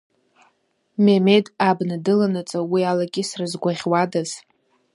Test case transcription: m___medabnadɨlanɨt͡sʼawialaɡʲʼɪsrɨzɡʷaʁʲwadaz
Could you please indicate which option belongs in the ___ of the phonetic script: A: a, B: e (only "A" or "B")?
B